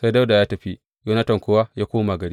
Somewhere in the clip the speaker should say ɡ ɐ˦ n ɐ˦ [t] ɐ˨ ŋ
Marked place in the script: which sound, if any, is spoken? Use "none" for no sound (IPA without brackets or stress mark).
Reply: t